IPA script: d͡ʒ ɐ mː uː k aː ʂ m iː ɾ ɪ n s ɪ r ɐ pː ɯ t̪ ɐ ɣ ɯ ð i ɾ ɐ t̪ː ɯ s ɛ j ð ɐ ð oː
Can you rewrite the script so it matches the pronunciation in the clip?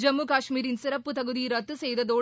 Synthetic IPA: d͡ʒ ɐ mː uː k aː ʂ m iː ɾ ɪ n s ɪ ɾ ɐ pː ɯ t̪ ɐ ɣ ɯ ð i ɾ ɐ t̪ː ɯ s ɛ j ð ɐ ð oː